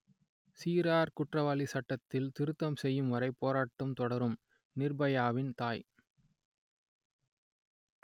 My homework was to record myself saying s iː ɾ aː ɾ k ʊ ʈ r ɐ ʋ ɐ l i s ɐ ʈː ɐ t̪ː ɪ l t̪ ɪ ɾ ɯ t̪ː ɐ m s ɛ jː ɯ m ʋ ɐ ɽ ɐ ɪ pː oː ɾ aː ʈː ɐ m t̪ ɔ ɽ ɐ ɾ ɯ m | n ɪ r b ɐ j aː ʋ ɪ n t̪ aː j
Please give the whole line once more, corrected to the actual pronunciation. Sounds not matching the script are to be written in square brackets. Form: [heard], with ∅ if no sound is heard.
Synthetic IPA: s iː ɾ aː ɾ k ʊ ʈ r ɐ ʋ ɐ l i s ɐ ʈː ɐ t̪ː ɪ l t̪ ɪ ɾ ɯ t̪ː ɐ m s ɛ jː ɯ m ʋ ɐ [ɾ] ɐ ɪ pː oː ɾ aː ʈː ɐ m t̪ ɔ ɽ ɐ ɾ ɯ m | n ɪ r b ɐ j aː ʋ ɪ n t̪ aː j